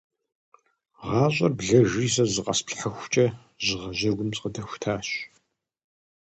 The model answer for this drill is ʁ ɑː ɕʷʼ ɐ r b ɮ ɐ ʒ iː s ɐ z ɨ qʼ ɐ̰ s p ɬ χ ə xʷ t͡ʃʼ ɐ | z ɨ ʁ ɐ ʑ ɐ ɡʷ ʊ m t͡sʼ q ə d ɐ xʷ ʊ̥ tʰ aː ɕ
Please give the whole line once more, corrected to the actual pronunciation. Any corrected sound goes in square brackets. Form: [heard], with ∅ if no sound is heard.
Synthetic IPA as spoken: ʁ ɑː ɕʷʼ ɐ r b ɮ ɐ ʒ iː s ɐ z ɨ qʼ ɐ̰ s p ɬ [ħ] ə xʷ t͡ʃʼ ɐ | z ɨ ʁ ɐ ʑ ɐ ɡʷ ʊ m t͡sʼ q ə d ɐ xʷ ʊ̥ tʰ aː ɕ

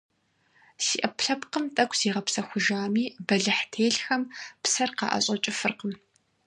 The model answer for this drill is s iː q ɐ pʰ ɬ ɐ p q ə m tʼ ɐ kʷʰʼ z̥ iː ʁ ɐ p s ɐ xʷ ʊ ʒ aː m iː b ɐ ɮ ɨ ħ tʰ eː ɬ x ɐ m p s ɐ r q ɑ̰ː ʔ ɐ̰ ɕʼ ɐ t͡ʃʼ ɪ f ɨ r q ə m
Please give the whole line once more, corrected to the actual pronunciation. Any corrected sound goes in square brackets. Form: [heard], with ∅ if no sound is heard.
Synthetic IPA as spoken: s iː [ʔ] ɐ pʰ ɬ ɐ p q ə m tʼ ɐ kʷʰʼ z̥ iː ʁ ɐ p s ɐ xʷ ʊ ʒ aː m iː b ɐ ɮ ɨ ħ tʰ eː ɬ x ɐ m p s ɐ r q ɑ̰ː ʔ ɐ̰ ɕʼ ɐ t͡ʃʼ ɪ f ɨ r q ə m

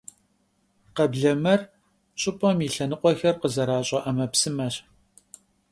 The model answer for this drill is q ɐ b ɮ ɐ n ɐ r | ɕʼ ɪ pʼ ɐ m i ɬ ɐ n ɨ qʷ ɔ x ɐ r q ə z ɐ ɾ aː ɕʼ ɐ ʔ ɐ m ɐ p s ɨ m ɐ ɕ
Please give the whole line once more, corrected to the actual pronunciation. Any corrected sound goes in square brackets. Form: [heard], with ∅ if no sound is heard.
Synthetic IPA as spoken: q ɐ b ɮ ɐ [m] ɐ r | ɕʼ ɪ pʼ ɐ m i ɬ ɐ n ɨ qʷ ɔ x ɐ r q ə z ɐ ɾ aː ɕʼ ɐ ʔ ɐ m ɐ p s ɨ m ɐ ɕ

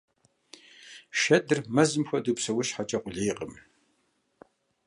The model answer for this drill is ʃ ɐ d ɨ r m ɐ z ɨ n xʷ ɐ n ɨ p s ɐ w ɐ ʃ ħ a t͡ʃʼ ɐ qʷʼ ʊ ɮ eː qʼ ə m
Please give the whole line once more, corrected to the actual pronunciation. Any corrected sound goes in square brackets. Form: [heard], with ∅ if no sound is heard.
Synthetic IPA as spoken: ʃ ɐ d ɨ r m ɐ z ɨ [m] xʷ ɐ [d] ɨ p s ɐ w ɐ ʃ ħ a t͡ʃʼ ɐ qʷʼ ʊ ɮ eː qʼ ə m

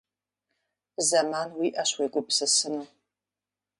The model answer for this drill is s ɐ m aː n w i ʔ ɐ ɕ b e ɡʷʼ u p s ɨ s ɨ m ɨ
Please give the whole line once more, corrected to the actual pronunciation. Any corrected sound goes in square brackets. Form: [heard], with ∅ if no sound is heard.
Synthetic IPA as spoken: [z] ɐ m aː n w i ʔ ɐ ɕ [w] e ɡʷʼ [ʊ] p s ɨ s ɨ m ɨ

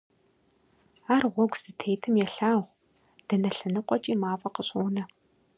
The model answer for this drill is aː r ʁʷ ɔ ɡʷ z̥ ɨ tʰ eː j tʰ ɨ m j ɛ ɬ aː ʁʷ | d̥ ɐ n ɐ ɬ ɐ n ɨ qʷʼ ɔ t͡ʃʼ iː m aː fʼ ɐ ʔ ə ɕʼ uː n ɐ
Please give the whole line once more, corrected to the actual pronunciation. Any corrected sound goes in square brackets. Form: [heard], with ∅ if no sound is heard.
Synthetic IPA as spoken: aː r ʁʷ ɔ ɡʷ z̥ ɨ tʰ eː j tʰ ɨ m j ɛ ɬ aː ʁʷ | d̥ ɐ n ɐ ɬ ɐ n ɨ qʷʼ ɔ t͡ʃʼ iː m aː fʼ ɐ [q] ə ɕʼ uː n ɐ

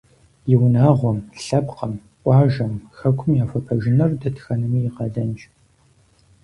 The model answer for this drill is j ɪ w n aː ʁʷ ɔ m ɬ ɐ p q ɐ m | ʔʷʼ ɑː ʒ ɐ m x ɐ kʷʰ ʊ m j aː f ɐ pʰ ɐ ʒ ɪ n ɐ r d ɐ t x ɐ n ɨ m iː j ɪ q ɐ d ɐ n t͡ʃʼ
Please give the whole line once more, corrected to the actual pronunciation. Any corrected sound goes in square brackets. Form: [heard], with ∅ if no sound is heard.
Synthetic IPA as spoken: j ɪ w n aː ʁʷ ɔ m ɬ ɐ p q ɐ m | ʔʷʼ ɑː ʒ ɐ m x ɐ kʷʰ ʊ m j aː f ɐ pʰ ɐ ʒ ɪ n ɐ r d ɐ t x ɐ n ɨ m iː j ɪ q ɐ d ɐ n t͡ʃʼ

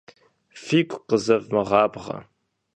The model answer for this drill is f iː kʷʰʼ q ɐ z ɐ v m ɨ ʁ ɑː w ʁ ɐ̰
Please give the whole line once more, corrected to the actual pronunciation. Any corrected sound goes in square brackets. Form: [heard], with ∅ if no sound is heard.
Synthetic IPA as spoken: f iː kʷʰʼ q [ə] z ɐ v m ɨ ʁ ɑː [b] ʁ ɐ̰

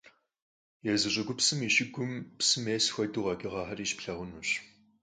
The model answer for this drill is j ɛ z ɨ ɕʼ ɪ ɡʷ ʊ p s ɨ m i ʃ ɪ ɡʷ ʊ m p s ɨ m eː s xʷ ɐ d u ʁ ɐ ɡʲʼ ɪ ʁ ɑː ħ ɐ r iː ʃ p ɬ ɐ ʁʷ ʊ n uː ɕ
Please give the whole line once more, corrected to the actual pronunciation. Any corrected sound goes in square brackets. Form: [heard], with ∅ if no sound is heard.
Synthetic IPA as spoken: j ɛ z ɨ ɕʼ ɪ ɡʷ ʊ p s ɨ m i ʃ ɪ ɡʷ ʊ m p s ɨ m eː s xʷ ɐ d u ʁ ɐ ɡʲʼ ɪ ʁ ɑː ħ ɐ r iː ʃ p ɬ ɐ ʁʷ ʊ n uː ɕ

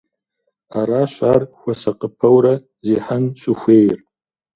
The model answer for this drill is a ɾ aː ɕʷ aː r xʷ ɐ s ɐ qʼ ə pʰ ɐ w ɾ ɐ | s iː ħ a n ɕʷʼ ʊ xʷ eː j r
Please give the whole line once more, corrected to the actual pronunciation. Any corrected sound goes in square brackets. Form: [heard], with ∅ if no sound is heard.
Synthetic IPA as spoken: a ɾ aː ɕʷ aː r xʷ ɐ s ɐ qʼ ə pʰ ɐ w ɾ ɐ | [z] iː ħ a n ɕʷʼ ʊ xʷ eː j r

